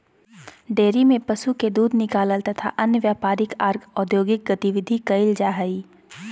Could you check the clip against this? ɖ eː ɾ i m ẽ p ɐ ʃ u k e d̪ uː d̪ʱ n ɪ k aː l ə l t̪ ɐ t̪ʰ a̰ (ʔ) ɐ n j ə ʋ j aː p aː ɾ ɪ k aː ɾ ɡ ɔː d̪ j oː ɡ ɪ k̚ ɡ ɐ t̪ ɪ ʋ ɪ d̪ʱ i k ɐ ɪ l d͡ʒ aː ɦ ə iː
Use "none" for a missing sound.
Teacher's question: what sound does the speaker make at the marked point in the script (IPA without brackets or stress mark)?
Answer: ʔ